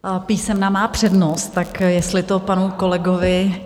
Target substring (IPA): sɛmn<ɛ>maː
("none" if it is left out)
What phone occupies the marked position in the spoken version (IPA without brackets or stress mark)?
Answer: a